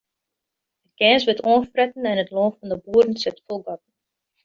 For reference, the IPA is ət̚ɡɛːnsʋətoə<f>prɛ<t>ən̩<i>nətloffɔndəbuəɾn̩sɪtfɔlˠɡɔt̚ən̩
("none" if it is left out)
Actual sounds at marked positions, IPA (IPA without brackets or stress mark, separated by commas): f, t, ɛ